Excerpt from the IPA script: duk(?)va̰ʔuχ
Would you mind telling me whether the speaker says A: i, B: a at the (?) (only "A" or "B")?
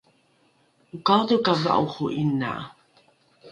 B